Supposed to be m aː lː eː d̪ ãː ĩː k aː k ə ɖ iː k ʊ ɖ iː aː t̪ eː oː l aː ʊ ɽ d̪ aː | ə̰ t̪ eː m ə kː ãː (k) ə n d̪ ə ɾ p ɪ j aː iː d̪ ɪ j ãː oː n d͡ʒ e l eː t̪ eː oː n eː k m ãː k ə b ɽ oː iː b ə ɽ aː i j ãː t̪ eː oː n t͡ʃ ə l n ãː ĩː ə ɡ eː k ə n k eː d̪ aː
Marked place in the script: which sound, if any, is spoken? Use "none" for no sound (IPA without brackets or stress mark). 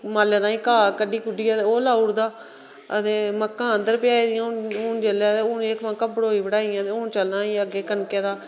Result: none